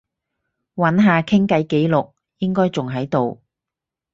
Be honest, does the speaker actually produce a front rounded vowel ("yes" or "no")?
no